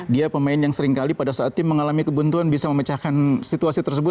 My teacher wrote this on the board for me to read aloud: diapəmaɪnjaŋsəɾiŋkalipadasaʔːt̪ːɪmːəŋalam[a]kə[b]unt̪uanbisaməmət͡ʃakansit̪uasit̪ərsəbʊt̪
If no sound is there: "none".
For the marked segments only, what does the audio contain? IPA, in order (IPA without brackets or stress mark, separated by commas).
i, b